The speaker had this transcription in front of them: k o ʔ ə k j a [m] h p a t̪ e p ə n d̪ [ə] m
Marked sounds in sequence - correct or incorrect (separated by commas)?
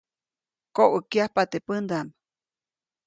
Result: incorrect, incorrect